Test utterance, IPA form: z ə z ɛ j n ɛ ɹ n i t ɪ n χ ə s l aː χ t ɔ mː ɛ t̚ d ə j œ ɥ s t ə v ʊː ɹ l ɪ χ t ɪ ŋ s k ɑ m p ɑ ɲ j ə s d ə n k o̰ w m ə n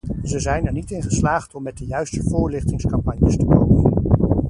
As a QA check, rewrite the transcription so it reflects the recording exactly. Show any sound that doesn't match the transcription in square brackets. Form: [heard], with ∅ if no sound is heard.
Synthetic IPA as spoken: z ə z ɛ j n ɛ ɹ n i t ɪ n χ ə s l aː χ t ɔ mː ɛ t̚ d ə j œ ɥ s t ə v ʊː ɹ l ɪ χ t ɪ ŋ s k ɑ m p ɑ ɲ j ə s [t] ə [∅] k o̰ w m ə n